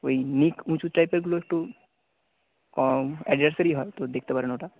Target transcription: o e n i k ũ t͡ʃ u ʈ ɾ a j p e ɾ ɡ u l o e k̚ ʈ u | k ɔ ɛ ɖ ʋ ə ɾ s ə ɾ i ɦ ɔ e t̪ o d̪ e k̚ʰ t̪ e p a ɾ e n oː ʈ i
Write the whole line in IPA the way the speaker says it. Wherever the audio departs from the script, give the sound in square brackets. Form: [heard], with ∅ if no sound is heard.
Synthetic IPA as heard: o [i] n i k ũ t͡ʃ u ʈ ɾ a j p e ɾ ɡ u l o e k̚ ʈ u | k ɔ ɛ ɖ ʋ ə ɾ s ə ɾ i ɦ ɔ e t̪ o d̪ e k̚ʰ t̪ e p a ɾ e n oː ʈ [a]